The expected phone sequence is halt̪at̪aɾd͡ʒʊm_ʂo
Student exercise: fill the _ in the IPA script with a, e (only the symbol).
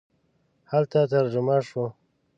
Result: a